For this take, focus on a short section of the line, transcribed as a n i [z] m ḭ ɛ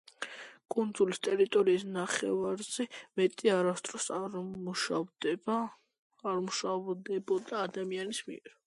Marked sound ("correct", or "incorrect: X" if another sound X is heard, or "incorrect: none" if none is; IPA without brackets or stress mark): incorrect: s